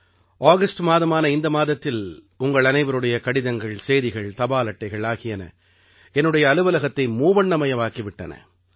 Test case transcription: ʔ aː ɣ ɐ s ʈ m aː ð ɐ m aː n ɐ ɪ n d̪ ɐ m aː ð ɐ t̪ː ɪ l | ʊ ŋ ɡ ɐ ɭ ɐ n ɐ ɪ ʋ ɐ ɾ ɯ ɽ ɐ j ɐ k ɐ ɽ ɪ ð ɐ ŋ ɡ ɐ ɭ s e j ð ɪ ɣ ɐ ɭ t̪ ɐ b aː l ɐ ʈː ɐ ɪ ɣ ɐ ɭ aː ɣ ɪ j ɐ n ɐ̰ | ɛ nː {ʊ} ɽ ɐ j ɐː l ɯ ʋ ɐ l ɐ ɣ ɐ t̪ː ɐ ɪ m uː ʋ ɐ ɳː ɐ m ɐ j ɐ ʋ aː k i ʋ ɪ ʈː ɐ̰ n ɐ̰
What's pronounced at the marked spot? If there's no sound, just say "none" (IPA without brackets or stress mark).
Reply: ɯ